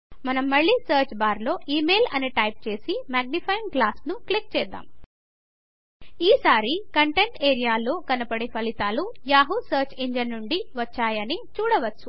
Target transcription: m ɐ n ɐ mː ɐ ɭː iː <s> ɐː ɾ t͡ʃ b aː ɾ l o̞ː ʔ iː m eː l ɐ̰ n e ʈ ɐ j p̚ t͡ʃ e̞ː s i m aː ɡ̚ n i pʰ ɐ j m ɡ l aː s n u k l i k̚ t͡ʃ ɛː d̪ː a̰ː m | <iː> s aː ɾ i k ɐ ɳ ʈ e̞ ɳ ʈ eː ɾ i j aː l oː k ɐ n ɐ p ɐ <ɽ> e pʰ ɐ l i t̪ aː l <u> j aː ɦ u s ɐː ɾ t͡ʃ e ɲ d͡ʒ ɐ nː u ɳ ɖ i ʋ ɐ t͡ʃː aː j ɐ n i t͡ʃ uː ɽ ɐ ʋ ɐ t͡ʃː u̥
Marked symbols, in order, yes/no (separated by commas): yes, yes, yes, yes